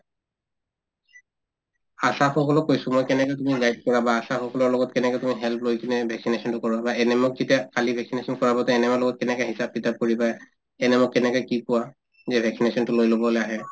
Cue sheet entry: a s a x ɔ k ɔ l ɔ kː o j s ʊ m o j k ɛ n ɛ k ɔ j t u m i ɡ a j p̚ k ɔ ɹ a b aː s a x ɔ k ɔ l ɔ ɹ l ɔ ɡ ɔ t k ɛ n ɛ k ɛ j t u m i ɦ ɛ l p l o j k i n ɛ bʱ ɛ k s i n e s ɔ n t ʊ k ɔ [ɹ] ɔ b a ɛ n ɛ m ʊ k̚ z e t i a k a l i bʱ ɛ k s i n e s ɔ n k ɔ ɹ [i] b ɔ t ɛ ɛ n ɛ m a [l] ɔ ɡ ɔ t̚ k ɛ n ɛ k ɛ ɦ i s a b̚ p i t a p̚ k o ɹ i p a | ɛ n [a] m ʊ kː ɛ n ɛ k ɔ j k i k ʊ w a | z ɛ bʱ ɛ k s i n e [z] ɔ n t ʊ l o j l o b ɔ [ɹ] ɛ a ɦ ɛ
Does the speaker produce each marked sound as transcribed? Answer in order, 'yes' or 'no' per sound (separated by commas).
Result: yes, no, yes, no, no, no